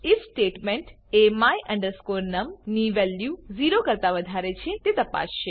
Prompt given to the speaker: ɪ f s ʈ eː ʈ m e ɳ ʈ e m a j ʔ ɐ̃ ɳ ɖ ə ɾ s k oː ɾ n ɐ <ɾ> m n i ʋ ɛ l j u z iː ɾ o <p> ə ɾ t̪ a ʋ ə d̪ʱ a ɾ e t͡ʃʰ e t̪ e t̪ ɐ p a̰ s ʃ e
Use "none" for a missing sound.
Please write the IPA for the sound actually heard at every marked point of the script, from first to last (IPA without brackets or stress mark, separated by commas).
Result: none, k